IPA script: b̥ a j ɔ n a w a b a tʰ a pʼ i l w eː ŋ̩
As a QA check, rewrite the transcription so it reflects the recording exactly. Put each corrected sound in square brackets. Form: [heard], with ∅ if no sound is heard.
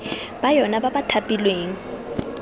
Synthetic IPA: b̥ a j ɔ n a [b] a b a tʰ a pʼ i l w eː ŋ̩

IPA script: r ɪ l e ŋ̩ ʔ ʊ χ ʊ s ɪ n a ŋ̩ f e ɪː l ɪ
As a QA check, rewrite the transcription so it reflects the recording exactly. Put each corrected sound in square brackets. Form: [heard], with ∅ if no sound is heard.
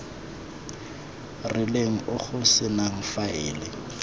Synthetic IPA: r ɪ l e ŋ̩ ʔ ʊ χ ʊ s ɪ n a ŋ̩ f [a] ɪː l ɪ

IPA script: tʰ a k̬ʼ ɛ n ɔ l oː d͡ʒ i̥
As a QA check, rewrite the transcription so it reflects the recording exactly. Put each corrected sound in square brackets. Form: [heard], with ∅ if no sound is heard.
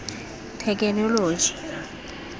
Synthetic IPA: tʰ [ɛ] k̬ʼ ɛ n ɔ l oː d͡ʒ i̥

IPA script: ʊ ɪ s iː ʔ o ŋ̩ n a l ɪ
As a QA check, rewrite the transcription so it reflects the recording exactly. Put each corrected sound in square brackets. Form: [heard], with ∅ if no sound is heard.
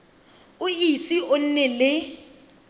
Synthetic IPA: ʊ [i] s [i] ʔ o [n̩] n [ɛ] l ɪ

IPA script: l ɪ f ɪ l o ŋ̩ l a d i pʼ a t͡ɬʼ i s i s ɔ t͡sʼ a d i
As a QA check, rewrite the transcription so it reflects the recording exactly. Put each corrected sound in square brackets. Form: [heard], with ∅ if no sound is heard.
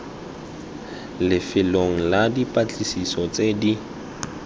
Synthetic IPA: l ɪ f ɪ l o ŋ̩ l a d i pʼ a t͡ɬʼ i s i s ɔ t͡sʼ [e] d i

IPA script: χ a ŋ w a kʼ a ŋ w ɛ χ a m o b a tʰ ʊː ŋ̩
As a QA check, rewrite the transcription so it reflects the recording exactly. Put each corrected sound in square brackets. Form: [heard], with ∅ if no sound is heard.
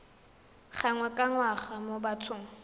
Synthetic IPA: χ a ŋ w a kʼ a ŋ w [a] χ a m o b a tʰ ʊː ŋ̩

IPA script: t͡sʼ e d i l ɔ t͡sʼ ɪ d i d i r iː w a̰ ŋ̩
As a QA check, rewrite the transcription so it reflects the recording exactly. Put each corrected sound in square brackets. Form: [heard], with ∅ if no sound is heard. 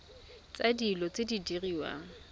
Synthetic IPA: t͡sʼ [a] d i l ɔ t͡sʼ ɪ d i d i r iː w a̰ ŋ̩

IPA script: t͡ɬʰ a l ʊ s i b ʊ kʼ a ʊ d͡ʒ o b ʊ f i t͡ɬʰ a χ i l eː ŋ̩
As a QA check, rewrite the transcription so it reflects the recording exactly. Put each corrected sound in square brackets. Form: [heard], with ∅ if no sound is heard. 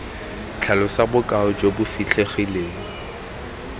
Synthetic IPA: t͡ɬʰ a l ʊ s [a] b ʊ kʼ a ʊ d͡ʒ o b ʊ f i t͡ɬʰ [e] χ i l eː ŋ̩

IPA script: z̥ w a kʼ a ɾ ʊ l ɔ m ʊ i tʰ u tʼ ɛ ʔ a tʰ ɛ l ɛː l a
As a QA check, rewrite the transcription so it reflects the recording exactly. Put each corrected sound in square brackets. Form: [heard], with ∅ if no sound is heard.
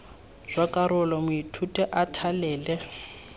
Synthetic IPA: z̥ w a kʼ a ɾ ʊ l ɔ m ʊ i tʰ u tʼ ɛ ʔ a tʰ [a] l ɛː l [ɛ]

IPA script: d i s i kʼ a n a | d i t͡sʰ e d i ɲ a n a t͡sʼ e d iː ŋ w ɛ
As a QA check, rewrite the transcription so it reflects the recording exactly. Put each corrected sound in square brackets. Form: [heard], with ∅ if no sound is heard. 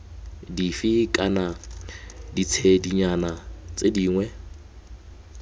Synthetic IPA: d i [f] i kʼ a n a | d i t͡sʰ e d i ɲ a n a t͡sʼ e d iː ŋ w ɛ

